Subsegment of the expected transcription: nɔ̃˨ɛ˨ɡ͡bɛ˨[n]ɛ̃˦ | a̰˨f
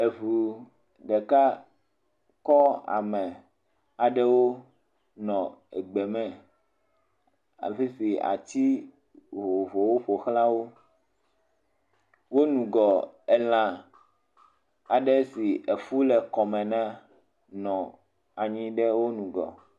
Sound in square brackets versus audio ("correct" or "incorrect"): incorrect